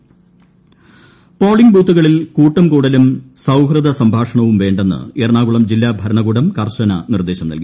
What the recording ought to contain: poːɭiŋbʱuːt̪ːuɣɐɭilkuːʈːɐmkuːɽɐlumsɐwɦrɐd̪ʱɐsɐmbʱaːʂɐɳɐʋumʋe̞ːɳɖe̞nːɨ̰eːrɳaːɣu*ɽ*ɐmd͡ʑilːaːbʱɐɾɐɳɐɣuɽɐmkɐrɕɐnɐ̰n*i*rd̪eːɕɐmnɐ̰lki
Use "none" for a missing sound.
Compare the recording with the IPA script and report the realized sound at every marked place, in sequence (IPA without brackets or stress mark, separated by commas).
ɭ, i